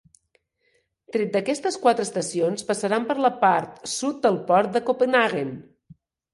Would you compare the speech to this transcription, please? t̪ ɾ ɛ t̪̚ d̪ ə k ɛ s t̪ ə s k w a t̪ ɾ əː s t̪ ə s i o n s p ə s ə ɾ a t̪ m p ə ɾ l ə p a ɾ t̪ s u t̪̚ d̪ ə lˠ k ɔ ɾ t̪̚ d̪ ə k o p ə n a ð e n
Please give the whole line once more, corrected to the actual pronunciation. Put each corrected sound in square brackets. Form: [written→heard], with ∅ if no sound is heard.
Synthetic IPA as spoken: t̪ ɾ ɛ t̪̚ d̪ ə k ɛ s t̪ ə s k w a t̪ ɾ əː s t̪ ə s i o n s p ə s ə ɾ a [t̪→∅] m p ə ɾ l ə p a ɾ t̪ s u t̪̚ d̪ ə lˠ [k→p] ɔ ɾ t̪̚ d̪ ə k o p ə n a [ð→ɣ] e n